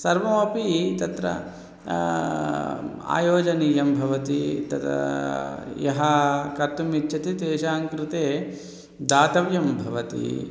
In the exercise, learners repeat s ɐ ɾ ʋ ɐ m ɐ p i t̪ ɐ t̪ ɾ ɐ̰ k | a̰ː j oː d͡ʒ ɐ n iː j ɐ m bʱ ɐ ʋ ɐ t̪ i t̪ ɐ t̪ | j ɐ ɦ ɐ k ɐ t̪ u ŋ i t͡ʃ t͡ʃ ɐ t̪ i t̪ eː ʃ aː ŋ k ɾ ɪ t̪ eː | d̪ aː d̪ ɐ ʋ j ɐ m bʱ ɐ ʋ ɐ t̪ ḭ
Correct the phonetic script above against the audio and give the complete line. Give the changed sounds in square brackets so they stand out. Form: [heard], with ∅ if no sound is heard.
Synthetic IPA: s ɐ ɾ ʋ ɐ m ɐ p i t̪ ɐ t̪ ɾ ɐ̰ [∅] | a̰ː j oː d͡ʒ ɐ n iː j ɐ m bʱ ɐ ʋ ɐ t̪ i t̪ ɐ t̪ | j ɐ ɦ ɐ k ɐ t̪ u [m] i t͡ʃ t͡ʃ ɐ t̪ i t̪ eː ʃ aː ŋ k ɾ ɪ t̪ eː | d̪ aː [t̪] ɐ ʋ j ɐ m bʱ ɐ ʋ ɐ t̪ ḭ

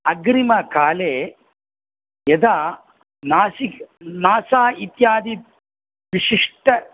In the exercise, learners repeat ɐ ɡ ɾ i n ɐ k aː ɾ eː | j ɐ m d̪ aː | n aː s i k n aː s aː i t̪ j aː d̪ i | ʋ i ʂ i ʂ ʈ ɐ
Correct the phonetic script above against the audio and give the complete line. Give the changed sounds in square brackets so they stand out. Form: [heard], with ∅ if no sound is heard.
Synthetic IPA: ɐ ɡ ɾ i [m] ɐ k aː [l] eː | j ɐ [∅] d̪ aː | n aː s i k n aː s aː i t̪ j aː d̪ i | ʋ i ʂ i ʂ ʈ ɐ

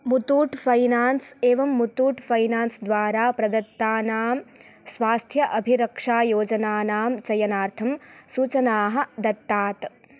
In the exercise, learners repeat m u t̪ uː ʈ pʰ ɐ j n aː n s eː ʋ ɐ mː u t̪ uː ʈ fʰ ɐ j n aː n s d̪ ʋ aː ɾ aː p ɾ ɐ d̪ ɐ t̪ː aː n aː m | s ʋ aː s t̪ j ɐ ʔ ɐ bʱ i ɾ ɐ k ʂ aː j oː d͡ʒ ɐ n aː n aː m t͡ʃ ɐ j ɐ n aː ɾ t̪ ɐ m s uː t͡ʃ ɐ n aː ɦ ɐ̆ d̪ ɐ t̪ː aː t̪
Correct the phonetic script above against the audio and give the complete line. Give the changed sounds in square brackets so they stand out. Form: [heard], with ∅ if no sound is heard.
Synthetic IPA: m u t̪ uː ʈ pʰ ɐ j n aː n s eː ʋ ɐ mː u t̪ uː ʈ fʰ ɐ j n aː n s d̪ ʋ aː ɾ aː p ɾ ɐ d̪ ɐ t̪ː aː n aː m | s ʋ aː s [t̪ʰ] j ɐ ʔ ɐ bʱ i ɾ ɐ k ʂ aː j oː d͡ʒ ɐ n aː n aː m t͡ʃ ɐ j ɐ n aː ɾ [t̪ʰ] ɐ m s uː t͡ʃ ɐ n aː ɦ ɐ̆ d̪ ɐ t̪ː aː t̪

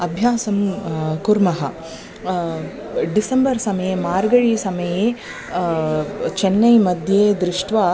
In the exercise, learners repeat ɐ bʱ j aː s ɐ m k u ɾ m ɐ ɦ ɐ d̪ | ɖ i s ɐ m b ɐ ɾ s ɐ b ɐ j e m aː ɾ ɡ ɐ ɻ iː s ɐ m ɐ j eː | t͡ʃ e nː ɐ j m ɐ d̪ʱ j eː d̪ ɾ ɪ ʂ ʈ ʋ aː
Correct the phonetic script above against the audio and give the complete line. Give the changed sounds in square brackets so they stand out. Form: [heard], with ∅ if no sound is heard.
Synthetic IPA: ɐ bʱ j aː s ɐ m k u ɾ m ɐ ɦ ɐ [∅] | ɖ i s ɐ m b ɐ ɾ s ɐ [m] ɐ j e m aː ɾ ɡ ɐ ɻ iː s ɐ m ɐ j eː | t͡ʃ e nː ɐ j m ɐ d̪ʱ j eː d̪ ɾ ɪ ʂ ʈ ʋ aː

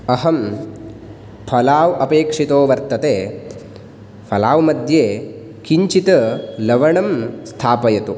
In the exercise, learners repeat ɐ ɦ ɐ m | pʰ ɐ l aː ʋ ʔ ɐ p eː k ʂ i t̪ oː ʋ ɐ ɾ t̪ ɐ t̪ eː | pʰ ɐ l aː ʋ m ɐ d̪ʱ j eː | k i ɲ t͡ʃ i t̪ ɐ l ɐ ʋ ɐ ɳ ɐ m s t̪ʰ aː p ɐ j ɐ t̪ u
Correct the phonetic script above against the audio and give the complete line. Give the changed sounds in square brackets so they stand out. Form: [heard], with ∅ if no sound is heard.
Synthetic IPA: ɐ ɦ ɐ m | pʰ ɐ l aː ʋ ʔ ɐ p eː k ʂ i t̪ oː ʋ ɐ ɾ t̪ ɐ t̪ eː | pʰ ɐ l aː ʋ m ɐ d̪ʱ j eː | k i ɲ t͡ʃ i t̪ ɐ l ɐ ʋ ɐ ɳ ɐ m s t̪ʰ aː p ɐ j ɐ t̪ u

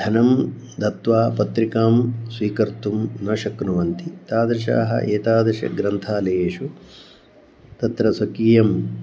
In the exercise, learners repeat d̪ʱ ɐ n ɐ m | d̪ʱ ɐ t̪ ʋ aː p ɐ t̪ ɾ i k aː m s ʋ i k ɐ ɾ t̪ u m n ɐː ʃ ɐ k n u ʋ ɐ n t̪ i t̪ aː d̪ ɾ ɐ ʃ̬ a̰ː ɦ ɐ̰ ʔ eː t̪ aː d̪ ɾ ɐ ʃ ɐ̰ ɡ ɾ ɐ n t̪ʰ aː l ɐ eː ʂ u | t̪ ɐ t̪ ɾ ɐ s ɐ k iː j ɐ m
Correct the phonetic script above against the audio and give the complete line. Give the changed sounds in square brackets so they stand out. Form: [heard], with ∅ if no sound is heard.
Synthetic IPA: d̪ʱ ɐ n ɐ m | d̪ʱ ɐ t̪ ʋ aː p ɐ t̪ ɾ i k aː m s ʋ [iː] k ɐ ɾ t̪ u m n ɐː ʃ ɐ k n u ʋ ɐ n t̪ i t̪ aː d̪ ɾ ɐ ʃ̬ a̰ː ɦ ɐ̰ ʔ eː t̪ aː d̪ ɾ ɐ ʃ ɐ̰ ɡ ɾ ɐ n t̪ʰ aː l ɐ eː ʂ u | t̪ ɐ t̪ ɾ ɐ s ɐ k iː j ɐ m

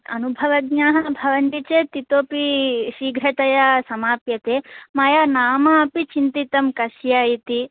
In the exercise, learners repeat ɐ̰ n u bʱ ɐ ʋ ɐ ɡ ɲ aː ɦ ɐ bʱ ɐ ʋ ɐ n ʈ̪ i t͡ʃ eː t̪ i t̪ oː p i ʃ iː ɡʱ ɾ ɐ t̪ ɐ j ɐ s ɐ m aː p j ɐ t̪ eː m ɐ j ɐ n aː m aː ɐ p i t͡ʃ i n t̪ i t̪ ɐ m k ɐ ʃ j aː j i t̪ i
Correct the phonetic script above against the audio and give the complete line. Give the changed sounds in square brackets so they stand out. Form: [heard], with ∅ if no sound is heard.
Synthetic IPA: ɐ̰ n u bʱ ɐ ʋ ɐ ɡ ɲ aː ɦ ɐ bʱ ɐ ʋ ɐ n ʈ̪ i t͡ʃ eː t̪ i t̪ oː p i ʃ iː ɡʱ ɾ ɐ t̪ ɐ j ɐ s ɐ m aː p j ɐ t̪ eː m ɐ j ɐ n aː m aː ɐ p i t͡ʃ i n t̪ i t̪ ɐ m k ɐ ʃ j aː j i t̪ i

